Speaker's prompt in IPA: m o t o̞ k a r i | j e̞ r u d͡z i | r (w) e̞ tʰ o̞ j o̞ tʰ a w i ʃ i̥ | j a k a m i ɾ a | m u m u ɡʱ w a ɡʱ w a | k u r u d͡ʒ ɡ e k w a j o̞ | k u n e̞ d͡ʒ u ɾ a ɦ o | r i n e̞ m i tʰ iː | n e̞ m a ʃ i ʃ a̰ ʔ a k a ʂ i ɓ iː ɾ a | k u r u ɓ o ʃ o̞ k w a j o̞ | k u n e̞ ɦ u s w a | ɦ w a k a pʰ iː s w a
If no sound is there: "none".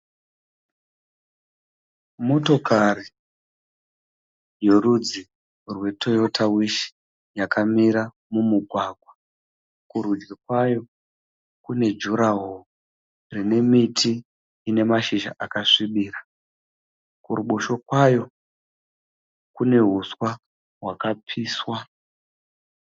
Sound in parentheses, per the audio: w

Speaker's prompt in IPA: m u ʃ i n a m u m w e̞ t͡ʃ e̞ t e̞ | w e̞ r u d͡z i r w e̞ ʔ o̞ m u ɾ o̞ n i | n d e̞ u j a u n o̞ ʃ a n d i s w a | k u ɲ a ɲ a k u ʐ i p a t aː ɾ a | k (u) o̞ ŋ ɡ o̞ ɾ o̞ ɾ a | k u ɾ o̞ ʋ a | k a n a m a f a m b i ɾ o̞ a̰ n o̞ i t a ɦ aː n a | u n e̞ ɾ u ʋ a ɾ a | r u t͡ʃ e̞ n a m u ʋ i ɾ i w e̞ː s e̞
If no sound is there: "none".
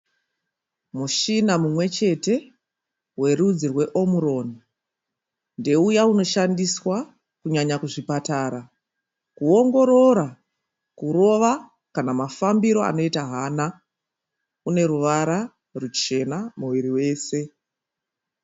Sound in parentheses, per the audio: u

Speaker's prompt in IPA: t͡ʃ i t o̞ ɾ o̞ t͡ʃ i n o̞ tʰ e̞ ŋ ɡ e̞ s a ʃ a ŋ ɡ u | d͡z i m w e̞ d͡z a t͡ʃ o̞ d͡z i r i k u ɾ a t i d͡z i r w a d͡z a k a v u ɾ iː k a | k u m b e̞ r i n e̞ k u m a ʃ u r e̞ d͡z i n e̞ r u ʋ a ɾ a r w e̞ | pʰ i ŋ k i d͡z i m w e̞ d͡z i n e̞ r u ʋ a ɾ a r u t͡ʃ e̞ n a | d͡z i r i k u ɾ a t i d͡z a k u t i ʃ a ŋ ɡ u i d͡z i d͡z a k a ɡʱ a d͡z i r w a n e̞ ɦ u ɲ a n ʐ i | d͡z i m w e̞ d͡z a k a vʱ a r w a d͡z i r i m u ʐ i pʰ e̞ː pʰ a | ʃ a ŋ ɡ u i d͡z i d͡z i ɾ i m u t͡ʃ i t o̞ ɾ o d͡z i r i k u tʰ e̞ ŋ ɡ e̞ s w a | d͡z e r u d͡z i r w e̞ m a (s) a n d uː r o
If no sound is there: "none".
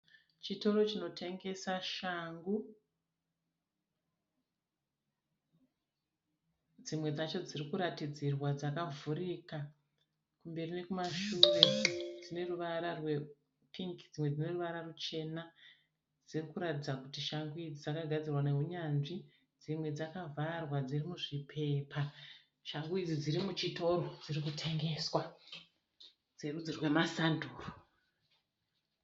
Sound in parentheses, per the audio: s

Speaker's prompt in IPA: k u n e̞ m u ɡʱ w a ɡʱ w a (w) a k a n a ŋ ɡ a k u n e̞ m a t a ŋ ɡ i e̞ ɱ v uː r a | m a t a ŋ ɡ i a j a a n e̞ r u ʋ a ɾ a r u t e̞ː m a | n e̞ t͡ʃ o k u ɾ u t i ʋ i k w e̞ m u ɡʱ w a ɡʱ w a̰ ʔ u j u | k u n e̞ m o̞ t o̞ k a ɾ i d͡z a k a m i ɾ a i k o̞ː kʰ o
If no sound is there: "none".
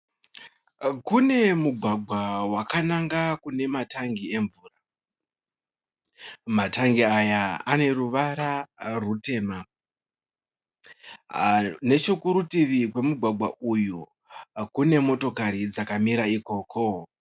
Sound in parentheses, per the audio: w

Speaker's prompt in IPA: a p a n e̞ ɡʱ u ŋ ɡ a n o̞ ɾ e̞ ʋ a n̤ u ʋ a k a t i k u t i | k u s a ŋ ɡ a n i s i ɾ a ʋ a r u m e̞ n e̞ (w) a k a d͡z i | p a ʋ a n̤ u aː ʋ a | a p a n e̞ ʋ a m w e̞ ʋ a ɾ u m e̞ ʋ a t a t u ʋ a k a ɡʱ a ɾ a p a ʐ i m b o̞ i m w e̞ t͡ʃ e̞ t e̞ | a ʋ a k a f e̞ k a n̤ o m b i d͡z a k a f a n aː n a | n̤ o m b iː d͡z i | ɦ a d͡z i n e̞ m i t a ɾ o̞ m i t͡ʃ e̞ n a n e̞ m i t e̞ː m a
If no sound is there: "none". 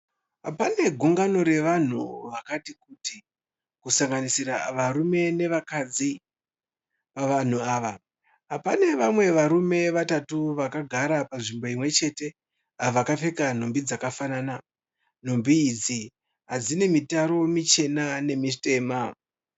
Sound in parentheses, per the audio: ʋ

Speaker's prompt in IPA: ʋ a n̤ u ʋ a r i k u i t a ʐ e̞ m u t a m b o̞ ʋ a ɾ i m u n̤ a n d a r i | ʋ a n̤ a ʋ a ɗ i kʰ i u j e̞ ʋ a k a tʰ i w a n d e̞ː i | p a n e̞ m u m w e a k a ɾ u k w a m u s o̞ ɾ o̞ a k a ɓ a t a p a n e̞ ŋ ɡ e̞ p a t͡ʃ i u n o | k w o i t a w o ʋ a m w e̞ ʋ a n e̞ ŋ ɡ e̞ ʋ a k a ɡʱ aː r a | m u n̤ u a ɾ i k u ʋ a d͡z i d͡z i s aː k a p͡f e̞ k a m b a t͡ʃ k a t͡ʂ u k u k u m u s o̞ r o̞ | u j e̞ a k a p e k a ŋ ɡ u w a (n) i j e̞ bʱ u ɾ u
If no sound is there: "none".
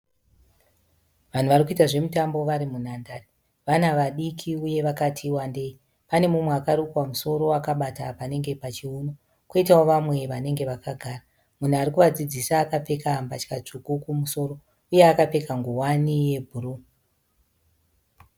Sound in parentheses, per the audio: n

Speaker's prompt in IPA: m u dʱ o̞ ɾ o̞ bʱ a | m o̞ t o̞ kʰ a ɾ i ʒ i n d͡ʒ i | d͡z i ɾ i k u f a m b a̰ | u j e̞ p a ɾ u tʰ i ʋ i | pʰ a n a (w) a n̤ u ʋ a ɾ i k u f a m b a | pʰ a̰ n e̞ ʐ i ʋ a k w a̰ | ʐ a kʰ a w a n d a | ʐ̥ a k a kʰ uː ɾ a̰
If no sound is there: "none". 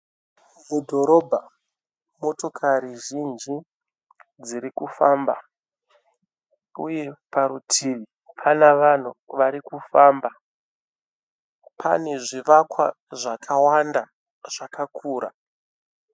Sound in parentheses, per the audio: ʋ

